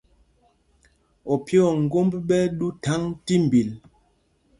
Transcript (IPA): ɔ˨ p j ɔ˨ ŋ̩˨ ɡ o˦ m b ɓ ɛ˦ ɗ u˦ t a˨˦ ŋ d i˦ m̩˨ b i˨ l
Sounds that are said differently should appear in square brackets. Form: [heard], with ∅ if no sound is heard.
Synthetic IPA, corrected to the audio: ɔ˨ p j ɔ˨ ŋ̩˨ ɡ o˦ m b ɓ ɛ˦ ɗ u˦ t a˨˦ ŋ [t] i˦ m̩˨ b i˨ l